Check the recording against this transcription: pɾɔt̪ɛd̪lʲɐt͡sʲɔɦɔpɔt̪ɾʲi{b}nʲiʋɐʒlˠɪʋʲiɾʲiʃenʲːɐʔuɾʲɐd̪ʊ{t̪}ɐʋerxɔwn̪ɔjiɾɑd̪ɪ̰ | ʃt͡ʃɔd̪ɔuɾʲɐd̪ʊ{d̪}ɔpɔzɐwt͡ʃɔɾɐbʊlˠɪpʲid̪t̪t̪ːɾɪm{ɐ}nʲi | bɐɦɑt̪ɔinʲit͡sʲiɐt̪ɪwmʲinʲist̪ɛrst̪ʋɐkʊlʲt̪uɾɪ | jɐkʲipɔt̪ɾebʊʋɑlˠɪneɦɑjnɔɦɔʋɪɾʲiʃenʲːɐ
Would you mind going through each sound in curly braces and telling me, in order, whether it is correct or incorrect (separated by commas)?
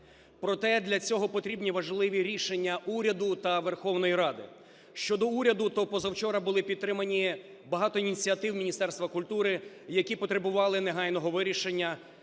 correct, correct, incorrect, correct